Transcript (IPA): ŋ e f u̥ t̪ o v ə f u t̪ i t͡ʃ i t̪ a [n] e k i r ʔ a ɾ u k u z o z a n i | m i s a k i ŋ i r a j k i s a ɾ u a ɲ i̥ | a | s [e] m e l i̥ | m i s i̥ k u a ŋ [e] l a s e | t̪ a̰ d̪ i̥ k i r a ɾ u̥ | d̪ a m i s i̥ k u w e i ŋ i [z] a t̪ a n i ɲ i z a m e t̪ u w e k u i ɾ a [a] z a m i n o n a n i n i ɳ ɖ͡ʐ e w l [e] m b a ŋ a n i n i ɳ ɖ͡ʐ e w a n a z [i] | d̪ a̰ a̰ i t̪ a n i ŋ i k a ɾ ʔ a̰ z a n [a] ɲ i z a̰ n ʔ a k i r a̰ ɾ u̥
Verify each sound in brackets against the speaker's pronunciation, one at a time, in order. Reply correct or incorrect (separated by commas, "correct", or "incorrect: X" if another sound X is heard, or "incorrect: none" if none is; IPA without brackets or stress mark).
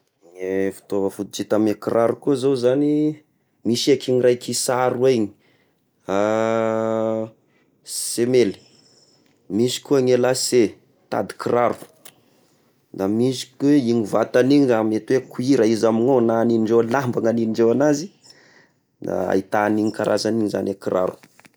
incorrect: m, correct, correct, incorrect: v, incorrect: i, incorrect: a, correct, incorrect: i